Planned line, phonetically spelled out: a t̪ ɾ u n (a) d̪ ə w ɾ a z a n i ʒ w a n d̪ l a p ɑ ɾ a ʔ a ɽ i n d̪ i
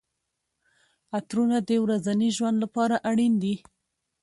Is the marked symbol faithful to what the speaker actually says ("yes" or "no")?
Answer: yes